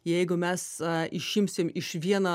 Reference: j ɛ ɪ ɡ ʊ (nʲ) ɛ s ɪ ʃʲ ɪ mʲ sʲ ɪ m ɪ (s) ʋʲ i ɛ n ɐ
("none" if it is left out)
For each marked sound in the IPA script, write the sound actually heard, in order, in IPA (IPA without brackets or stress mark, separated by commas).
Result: mʲ, ʃ